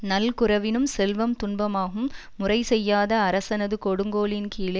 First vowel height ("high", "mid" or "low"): low